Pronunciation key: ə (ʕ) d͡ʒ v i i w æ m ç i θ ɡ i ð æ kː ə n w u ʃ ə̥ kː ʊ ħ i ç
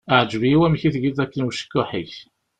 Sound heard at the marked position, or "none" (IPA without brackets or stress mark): ʕ